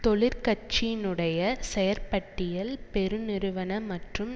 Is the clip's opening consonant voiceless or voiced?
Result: voiceless